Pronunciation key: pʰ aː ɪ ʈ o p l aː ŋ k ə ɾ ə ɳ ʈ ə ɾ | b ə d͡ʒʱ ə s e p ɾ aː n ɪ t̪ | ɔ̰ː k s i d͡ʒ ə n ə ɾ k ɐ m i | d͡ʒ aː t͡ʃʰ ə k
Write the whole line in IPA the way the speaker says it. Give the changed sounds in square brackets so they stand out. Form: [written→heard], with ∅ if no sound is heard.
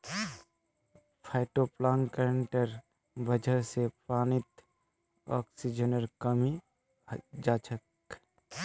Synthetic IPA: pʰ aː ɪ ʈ o p l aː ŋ k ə ɾ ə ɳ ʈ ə ɾ | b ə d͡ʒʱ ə s e p ɾ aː n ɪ t̪ | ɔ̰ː k s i d͡ʒ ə n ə ɾ k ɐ m i | d͡ʒ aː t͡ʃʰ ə k